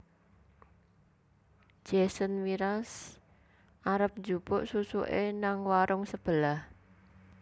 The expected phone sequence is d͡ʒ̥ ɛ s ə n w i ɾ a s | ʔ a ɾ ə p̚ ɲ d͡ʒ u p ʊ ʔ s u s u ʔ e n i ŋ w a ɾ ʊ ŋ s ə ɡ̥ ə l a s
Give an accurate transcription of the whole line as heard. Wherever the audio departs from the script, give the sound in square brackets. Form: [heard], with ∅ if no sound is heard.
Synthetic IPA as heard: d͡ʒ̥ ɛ s ə n w i ɾ a s | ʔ a ɾ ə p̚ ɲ d͡ʒ u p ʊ ʔ s u s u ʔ e n [a] ŋ w a ɾ ʊ ŋ s ə [b̥] ə l a [h]

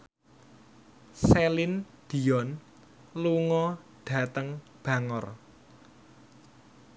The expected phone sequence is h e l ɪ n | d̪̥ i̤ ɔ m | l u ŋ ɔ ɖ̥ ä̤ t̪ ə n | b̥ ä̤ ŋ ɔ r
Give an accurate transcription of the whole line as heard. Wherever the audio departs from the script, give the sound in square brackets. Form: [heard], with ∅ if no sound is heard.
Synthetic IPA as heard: [s] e l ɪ n | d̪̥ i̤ ɔ [n] | l u ŋ ɔ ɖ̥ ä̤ t̪ ə [ŋ] | b̥ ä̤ ŋ ɔ r

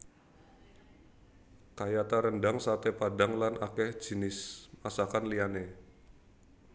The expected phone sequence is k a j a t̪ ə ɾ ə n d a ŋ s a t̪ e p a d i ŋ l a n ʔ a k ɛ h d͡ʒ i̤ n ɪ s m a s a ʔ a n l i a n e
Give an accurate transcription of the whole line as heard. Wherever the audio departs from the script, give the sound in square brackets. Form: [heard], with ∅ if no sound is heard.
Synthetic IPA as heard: k a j a t̪ [a] ɾ ə n d a ŋ s a t̪ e p a d [a] ŋ l a n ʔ a k ɛ h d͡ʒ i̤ n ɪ s m a s a [k] a n l i a n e

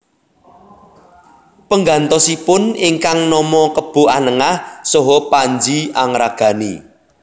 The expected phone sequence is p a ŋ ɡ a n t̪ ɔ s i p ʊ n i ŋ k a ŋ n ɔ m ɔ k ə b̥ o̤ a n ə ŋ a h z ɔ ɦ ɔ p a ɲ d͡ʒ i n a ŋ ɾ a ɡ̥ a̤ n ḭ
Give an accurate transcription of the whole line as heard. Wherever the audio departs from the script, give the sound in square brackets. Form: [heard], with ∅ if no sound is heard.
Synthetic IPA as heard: p [ə] ŋ ɡ a n t̪ ɔ s i p ʊ n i ŋ k a ŋ n ɔ m ɔ k ə b̥ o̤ a n ə ŋ a h [s] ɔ ɦ ɔ p a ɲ d͡ʒ i [∅] a ŋ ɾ a ɡ̥ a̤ n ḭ

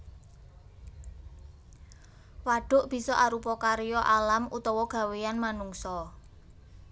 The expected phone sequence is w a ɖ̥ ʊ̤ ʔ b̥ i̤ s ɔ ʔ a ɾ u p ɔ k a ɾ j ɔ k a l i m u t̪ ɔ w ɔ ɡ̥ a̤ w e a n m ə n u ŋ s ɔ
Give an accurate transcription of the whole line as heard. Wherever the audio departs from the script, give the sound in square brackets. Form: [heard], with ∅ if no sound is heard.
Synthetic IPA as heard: w a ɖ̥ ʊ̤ ʔ b̥ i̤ s ɔ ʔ a ɾ u p ɔ k a ɾ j ɔ [ʔ] a l [a] m u t̪ ɔ w ɔ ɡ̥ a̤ w e a n m [a] n u ŋ s ɔ

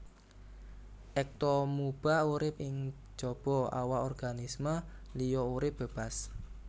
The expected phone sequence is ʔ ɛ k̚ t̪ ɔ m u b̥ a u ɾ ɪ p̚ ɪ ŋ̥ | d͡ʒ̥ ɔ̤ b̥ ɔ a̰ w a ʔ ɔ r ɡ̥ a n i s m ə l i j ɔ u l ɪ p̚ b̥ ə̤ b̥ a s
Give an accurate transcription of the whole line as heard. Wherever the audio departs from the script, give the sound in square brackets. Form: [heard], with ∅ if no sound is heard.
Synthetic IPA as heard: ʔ ɛ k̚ t̪ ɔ m u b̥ a u ɾ ɪ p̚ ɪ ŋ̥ | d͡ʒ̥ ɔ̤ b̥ ɔ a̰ w a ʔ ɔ r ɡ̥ a n i s m ə l i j ɔ u [ɾ] ɪ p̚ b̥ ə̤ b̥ a s

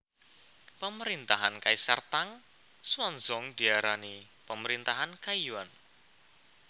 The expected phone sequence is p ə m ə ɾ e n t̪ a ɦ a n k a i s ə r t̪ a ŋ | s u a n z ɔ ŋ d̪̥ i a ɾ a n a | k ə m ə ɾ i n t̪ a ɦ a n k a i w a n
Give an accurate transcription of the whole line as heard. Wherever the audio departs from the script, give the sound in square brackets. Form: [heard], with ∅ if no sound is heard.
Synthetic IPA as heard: p ə m ə ɾ [i] n t̪ a ɦ a n k a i s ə r t̪ a ŋ | s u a n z ɔ ŋ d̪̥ i a ɾ a n [i] | [p] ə m ə ɾ i n t̪ a ɦ a n k a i w a n

